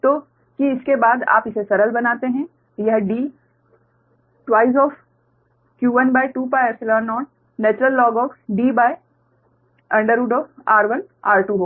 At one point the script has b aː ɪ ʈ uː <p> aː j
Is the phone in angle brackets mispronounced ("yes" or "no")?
no